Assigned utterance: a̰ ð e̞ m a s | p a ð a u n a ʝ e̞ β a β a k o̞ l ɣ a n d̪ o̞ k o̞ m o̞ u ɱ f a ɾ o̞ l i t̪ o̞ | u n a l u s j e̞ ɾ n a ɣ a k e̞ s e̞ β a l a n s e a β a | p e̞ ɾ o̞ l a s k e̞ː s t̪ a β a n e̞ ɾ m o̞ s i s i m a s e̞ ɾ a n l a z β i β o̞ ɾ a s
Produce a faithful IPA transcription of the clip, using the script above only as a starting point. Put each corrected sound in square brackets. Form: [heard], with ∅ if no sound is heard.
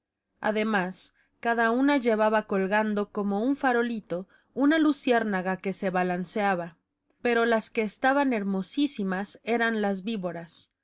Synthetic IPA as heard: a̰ ð e̞ m a s | [k] a ð a u n a ʝ e̞ β a β a k o̞ l ɣ a n d̪ o̞ k o̞ m o̞ u ɱ f a ɾ o̞ l i t̪ o̞ | u n a l u s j e̞ ɾ n a ɣ a k e̞ s e̞ β a l a n s e a β a | p e̞ ɾ o̞ l a s k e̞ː s t̪ a β a n e̞ ɾ m o̞ s i s i m a s e̞ ɾ a n l a z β i β o̞ ɾ a s